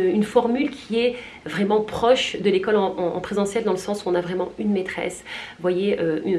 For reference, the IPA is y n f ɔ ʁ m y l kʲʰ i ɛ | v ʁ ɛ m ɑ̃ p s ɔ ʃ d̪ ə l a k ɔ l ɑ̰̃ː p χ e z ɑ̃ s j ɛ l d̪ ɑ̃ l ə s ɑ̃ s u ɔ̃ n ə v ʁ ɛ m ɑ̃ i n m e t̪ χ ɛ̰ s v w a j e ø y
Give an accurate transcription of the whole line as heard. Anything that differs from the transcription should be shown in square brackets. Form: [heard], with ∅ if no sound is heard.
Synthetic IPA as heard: y n f ɔ ʁ m y l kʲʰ i ɛ | v ʁ ɛ m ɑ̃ p [χ] ɔ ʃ d̪ ə l [e] k ɔ l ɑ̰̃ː p χ e z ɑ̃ s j ɛ l d̪ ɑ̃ l ə s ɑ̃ s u ɔ̃ n [a] v ʁ ɛ m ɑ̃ [y] n m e t̪ χ ɛ̰ s v w a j e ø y